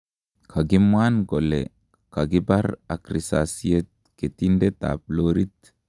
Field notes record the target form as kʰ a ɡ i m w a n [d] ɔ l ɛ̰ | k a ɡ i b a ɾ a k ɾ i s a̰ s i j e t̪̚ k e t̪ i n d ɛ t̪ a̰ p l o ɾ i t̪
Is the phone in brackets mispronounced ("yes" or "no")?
yes